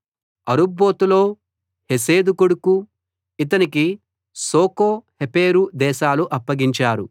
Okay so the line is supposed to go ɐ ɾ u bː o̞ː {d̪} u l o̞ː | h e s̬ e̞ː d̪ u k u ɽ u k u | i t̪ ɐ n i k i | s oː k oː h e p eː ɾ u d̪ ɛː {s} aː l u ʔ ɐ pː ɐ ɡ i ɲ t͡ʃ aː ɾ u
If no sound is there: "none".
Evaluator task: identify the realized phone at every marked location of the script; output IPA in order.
t̪, ʃ

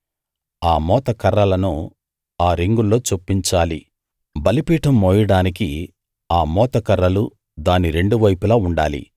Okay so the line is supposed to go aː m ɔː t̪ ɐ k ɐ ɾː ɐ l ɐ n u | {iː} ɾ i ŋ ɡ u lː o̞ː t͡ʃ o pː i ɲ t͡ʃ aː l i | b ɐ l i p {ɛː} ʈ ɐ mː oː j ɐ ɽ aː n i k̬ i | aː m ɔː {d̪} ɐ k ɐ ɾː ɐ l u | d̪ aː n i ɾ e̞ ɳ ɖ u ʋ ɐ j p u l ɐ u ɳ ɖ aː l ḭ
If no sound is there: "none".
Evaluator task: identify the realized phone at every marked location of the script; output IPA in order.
aː, iː, t̪

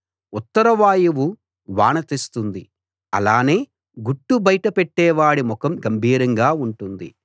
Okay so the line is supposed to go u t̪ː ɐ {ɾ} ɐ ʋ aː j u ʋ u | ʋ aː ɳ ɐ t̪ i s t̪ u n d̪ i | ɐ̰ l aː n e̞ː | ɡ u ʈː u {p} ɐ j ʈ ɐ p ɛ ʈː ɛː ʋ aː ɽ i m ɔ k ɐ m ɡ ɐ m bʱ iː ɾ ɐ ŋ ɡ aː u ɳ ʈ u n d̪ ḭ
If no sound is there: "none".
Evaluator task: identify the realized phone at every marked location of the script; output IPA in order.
ɾ, b

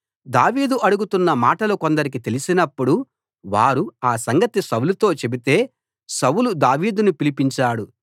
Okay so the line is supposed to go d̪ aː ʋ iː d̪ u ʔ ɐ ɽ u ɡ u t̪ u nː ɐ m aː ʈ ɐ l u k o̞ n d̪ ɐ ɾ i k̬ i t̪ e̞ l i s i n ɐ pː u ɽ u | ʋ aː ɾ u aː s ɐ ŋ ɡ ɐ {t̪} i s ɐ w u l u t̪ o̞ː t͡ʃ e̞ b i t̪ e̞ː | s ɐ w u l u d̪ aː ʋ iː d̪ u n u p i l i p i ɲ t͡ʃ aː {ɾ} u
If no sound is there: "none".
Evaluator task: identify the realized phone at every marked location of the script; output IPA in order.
t̪, ɽ

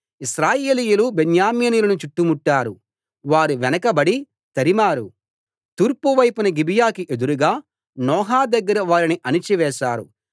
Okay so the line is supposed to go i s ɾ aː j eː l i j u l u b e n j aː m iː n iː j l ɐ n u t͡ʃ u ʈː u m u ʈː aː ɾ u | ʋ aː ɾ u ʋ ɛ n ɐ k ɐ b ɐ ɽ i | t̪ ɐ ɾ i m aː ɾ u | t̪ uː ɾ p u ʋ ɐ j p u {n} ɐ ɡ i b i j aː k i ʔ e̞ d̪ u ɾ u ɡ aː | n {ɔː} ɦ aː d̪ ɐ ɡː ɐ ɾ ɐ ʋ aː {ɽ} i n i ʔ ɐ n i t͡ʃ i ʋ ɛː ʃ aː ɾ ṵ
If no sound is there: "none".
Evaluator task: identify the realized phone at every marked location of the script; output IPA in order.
n, ɔː, ɾ

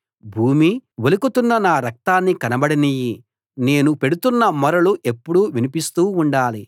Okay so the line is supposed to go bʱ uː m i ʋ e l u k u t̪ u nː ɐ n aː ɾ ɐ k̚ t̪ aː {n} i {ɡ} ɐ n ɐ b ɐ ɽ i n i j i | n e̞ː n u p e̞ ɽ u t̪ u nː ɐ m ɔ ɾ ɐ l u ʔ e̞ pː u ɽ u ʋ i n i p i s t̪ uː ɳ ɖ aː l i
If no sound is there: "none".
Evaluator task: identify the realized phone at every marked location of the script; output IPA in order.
nː, k

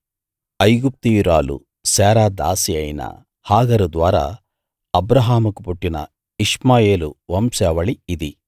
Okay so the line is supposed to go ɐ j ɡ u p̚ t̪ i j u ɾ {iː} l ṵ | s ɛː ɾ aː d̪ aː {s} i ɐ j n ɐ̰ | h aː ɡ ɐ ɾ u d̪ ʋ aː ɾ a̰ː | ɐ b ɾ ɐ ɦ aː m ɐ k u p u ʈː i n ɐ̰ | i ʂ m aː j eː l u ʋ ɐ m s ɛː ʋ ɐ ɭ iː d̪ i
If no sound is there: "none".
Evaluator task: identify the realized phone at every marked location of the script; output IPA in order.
aː, s

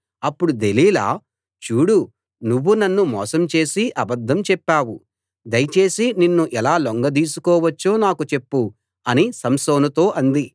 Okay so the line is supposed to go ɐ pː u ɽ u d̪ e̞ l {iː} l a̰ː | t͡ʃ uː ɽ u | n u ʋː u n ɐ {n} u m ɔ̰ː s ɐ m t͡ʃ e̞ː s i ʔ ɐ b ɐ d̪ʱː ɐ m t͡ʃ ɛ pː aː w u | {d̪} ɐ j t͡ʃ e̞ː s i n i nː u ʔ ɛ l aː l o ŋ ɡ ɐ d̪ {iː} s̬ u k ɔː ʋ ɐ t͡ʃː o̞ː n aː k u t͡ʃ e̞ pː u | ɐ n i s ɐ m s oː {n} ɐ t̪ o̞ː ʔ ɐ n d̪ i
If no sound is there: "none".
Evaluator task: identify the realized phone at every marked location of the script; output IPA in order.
iː, nː, d̪, iː, n

